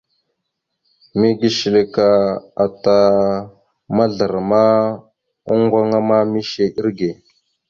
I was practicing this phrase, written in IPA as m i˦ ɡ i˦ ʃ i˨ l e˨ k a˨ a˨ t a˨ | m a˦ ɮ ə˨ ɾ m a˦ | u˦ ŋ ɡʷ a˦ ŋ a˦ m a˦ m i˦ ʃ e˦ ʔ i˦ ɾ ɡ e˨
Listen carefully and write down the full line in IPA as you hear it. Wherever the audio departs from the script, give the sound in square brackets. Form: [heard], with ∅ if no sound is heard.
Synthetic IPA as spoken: m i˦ ɡ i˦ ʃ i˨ l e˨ k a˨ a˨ t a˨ | m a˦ ɮ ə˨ ɾ m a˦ | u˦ ŋ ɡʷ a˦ ŋ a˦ m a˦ m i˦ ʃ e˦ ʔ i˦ ɾ ɡ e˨

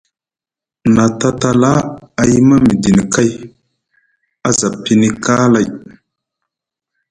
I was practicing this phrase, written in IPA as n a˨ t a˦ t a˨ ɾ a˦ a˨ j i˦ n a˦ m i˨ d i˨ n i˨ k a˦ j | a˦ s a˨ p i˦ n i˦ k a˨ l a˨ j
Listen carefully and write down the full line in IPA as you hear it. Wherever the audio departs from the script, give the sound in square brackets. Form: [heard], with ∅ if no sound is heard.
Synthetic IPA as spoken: n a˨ t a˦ t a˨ [l] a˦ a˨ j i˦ [m] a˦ m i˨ d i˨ n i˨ k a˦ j | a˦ [z] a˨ p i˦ n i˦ k [a˦] l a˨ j

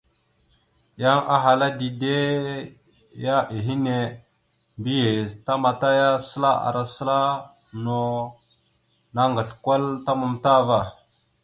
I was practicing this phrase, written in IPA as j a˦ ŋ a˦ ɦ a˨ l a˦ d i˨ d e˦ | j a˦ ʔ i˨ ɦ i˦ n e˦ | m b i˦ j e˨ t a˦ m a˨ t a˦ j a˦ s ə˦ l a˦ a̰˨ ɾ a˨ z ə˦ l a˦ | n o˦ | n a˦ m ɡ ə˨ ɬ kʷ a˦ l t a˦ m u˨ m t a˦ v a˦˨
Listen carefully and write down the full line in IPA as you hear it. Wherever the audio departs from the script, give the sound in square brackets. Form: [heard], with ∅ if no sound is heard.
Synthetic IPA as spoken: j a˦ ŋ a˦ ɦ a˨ l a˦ d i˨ d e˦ | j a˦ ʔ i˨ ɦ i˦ n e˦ | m b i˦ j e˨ t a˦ m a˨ t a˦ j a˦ s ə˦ l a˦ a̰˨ ɾ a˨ [s] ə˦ l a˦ | n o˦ | n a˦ [ŋ] ɡ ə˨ ɬ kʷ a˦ l t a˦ m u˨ m t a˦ v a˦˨

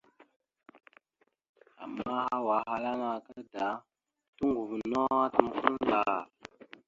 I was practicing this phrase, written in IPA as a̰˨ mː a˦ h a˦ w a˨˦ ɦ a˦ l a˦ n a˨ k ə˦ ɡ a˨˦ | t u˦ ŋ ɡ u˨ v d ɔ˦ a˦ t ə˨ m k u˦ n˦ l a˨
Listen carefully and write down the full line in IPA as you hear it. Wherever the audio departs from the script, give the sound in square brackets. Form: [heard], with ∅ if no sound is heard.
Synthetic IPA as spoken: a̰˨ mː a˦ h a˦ w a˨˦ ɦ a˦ l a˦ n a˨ k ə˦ [d] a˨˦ | t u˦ ŋ ɡ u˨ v [n] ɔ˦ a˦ t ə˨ m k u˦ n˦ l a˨

